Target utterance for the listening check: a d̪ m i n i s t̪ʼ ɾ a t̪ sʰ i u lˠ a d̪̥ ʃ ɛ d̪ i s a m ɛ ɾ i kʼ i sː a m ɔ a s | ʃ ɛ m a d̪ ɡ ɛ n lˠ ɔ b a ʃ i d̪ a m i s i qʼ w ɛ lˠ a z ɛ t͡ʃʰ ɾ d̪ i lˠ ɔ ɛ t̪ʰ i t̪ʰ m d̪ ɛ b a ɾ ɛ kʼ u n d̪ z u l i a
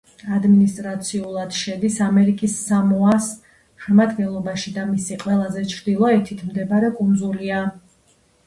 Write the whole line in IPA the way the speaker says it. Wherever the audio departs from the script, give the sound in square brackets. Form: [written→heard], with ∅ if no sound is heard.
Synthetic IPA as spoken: a d̪ m i n i s t̪ʼ ɾ a t̪ sʰ i u lˠ a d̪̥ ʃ ɛ d̪ i s a m ɛ ɾ i kʼ i sː a m ɔ a s | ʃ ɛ m a d̪ ɡ ɛ n lˠ ɔ b a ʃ i d̪ a m i s i qʼ w ɛ lˠ a z ɛ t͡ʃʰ ɾ d̪ i lˠ ɔ ɛ t̪ʰ i t̪ʰ m d̪ ɛ b a ɾ ɛ kʼ u n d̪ z u l i a